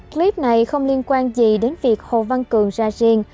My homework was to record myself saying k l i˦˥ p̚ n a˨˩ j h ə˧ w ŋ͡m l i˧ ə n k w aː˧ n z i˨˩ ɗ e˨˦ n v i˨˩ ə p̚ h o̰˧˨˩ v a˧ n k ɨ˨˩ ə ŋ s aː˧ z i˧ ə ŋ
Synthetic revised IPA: k l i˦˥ p̚ n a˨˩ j x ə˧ w ŋ͡m l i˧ ə n k w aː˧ n z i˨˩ ɗ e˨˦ n v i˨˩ ə k̚ h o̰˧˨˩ v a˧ n k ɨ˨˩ ə ŋ z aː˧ z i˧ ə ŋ